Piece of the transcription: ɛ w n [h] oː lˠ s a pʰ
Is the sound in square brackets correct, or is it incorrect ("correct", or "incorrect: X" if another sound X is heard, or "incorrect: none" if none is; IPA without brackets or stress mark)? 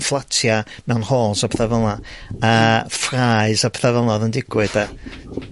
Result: correct